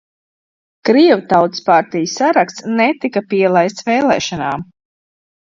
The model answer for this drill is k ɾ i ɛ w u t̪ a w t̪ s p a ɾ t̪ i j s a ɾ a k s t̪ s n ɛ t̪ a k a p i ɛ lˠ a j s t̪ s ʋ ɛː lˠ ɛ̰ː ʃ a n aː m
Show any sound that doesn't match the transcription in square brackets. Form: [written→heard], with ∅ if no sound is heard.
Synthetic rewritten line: k ɾ i ɛ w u t̪ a w t̪ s p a ɾ t̪ i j s a ɾ a k s t̪ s n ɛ t̪ [a→i] k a p i ɛ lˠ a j s t̪ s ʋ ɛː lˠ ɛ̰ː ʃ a n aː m